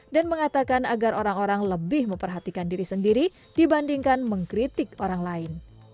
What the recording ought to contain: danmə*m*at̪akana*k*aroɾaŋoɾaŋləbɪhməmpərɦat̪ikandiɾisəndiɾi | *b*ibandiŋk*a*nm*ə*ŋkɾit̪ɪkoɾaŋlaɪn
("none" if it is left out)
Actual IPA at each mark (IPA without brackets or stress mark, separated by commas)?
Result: ŋ, ɡ, d, a, ə